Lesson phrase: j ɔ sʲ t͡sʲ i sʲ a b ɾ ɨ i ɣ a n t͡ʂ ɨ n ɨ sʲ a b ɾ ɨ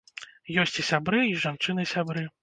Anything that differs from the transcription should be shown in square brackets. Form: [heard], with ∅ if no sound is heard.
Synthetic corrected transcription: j ɔ sʲ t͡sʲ i sʲ a b ɾ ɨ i [ʐ] a n t͡ʂ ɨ n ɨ sʲ a b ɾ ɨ